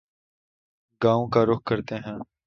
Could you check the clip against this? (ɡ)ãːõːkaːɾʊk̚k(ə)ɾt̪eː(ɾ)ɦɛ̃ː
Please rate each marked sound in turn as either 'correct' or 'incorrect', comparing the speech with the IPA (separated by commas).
correct, correct, incorrect